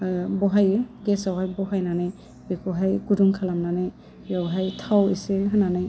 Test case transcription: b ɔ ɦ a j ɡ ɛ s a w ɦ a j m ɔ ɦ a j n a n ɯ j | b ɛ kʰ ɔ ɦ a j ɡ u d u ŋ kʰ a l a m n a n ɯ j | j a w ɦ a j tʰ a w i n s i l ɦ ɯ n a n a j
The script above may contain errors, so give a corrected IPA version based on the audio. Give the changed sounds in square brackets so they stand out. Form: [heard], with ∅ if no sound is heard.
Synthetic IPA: b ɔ ɦ a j ɡ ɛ s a w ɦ a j [b] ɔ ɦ a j n a n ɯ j | b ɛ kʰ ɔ ɦ a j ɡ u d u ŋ kʰ a l a m n a n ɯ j | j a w ɦ a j tʰ a w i [∅] s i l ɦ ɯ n a n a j